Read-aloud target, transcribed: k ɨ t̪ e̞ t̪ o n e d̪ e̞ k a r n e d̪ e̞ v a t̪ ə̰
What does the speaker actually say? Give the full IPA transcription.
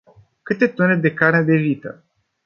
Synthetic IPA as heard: k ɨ t̪ e̞ t̪ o n e d̪ e̞ k a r n e d̪ e̞ v i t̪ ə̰